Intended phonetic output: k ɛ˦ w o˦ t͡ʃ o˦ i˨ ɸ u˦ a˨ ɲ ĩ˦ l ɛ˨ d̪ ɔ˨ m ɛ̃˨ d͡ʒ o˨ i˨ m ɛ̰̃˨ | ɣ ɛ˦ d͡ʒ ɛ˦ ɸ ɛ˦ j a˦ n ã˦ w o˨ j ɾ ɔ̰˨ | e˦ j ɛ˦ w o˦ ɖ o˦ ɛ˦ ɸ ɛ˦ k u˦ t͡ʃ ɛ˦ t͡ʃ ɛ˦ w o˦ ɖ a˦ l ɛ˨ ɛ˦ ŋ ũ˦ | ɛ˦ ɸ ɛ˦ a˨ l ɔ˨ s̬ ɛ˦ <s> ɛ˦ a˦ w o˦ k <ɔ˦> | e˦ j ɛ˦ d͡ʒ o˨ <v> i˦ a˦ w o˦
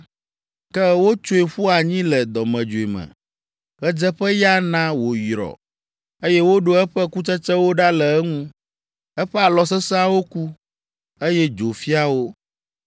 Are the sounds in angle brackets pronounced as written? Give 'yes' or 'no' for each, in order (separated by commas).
yes, no, no